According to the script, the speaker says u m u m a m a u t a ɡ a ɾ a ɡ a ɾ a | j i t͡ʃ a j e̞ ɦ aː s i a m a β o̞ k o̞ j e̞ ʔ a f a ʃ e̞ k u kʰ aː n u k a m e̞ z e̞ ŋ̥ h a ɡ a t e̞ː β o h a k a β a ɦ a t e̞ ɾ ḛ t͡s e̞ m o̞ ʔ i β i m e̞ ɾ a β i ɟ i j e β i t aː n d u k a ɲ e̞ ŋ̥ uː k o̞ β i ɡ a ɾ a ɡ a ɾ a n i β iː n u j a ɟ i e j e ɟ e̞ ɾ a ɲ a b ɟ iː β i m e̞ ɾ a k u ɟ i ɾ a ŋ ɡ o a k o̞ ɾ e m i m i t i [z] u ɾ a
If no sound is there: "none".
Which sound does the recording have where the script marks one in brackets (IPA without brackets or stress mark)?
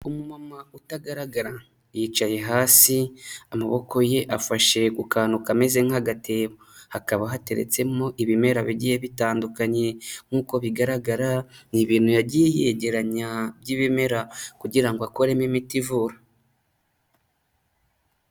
v